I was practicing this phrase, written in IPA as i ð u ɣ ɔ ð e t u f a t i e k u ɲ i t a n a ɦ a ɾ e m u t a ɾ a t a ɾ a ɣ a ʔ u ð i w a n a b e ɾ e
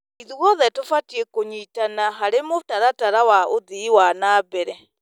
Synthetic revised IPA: i ð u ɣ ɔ ð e t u f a t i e k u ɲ i t a n a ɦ a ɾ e m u t a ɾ a t a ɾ a w a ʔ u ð i w a n a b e ɾ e